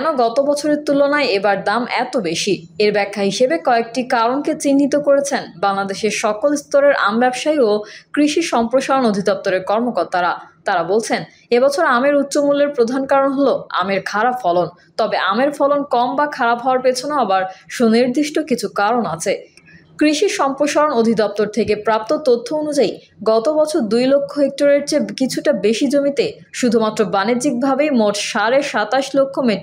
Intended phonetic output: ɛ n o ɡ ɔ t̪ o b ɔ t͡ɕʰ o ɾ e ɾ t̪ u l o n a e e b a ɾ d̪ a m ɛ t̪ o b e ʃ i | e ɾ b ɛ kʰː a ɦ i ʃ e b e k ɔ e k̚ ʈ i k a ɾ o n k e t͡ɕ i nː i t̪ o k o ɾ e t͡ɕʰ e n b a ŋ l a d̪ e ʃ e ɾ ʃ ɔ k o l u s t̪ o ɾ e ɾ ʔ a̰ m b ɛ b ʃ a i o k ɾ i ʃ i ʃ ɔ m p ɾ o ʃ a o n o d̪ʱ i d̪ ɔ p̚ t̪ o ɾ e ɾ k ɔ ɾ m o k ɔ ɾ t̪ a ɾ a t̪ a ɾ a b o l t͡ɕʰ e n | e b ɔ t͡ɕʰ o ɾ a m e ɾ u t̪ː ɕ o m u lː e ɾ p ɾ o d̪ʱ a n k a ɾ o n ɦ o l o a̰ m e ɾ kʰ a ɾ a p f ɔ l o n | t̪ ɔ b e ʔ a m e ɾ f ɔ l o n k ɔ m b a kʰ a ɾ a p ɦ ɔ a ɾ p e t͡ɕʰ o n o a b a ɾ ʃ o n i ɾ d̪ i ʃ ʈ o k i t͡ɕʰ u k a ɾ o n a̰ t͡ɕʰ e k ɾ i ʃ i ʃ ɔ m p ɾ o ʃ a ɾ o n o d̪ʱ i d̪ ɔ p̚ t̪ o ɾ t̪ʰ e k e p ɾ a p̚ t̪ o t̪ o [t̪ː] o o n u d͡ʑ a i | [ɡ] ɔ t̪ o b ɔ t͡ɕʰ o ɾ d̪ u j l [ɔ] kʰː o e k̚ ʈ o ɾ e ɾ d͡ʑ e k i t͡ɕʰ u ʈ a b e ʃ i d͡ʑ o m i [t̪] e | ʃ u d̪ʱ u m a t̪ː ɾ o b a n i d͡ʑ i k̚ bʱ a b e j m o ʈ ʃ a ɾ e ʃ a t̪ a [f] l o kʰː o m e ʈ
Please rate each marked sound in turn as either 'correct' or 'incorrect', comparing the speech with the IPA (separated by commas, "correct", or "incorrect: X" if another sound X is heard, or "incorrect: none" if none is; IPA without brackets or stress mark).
incorrect: t̪ʰː, correct, incorrect: o, correct, incorrect: ʃ